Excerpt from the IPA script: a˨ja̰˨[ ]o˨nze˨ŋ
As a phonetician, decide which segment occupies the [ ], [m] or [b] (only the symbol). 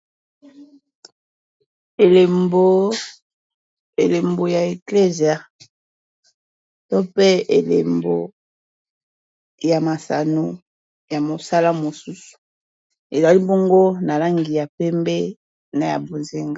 b